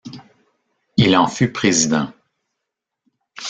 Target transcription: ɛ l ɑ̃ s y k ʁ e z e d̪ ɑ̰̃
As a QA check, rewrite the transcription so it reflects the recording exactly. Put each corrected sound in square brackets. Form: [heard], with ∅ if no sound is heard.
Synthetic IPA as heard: [i] l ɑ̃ [f] y [p] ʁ e z [i] d̪ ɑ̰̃